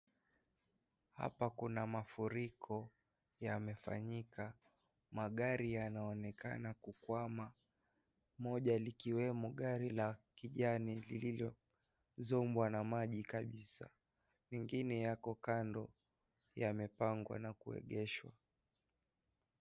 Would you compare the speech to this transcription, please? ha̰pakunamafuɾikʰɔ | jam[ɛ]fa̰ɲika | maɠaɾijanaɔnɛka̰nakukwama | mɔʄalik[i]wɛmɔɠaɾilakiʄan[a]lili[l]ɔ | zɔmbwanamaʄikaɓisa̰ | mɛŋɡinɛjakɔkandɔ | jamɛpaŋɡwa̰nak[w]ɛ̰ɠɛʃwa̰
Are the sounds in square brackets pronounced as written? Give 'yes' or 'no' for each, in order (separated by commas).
yes, yes, no, yes, no